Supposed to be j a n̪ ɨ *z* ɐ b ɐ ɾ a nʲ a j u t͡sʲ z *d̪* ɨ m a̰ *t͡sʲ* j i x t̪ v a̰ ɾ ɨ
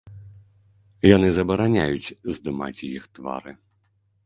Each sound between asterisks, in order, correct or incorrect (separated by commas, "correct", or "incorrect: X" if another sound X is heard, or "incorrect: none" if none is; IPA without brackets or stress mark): correct, correct, correct